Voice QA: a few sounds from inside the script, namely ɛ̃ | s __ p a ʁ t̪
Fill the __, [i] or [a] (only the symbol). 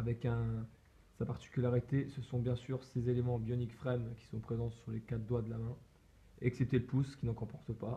a